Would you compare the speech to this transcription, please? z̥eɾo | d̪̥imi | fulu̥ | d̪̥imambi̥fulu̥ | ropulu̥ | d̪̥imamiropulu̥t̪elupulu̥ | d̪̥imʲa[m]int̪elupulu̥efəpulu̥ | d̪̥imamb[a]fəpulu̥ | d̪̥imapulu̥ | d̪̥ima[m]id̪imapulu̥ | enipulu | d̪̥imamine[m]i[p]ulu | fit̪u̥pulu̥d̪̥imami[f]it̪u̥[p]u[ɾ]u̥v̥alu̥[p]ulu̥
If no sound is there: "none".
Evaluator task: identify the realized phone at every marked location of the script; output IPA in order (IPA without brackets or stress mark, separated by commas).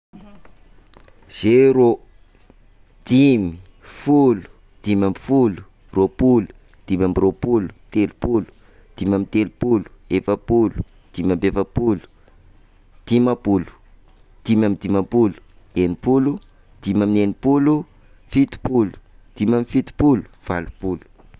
m, e, m, n, p, f, p, l, p